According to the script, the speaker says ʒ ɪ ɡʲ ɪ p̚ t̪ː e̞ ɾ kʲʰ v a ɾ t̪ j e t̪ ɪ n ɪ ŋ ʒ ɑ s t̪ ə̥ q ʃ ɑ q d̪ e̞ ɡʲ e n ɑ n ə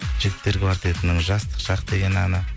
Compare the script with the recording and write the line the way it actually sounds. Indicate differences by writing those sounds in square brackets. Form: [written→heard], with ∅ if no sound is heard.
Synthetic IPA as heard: ʒ ɪ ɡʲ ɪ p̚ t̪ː e̞ ɾ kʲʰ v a ɾ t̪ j e t̪ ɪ n ɪ ŋ ʒ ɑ s t̪ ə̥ q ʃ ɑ q d̪ e̞ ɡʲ e n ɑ n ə